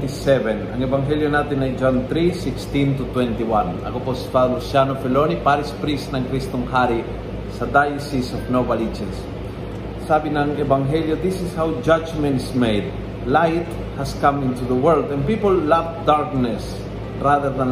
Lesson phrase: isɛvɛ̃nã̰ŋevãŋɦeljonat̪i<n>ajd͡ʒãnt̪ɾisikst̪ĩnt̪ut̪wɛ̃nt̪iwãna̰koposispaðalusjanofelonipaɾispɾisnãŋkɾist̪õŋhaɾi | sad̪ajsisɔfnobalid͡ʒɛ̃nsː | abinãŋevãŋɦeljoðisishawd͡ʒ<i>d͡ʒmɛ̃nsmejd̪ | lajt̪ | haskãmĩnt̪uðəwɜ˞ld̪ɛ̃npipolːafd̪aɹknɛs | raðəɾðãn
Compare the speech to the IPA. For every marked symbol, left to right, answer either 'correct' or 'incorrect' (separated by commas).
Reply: correct, incorrect